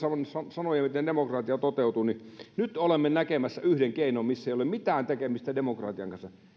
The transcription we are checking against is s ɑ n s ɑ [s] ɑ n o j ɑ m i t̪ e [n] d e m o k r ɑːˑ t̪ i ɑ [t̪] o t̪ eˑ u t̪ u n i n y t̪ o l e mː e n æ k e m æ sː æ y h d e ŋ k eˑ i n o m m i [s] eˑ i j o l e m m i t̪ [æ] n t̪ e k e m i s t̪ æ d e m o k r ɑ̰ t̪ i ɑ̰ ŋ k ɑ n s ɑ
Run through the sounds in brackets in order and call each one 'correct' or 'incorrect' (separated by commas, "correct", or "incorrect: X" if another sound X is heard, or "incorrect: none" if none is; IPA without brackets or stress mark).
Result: correct, correct, correct, incorrect: sː, incorrect: æː